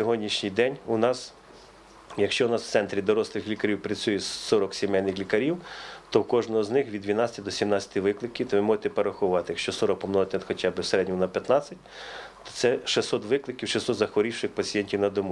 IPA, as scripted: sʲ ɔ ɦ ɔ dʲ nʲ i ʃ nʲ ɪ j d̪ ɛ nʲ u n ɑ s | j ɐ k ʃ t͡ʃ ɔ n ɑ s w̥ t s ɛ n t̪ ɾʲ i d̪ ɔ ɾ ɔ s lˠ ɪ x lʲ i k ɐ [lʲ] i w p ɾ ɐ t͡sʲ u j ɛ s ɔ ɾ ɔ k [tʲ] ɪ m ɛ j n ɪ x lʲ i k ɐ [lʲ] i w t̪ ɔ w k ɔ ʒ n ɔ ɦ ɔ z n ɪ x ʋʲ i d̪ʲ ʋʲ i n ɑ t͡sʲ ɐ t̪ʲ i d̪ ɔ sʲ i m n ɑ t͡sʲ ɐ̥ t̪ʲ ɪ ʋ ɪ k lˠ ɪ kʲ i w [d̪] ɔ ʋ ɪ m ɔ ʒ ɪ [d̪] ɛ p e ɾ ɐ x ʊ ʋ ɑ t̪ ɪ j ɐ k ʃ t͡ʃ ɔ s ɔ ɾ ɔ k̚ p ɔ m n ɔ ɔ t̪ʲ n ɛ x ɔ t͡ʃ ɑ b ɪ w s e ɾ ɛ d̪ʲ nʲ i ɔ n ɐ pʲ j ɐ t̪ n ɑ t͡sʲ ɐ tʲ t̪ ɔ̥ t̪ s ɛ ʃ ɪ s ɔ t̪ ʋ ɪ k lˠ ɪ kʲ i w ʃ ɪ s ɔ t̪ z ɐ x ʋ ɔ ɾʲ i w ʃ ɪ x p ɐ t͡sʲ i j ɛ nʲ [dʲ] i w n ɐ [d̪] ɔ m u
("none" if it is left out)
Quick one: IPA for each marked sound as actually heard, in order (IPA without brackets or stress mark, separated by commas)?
ɾʲ, sʲ, ɾʲ, t̪, t̪, tʲ, d̪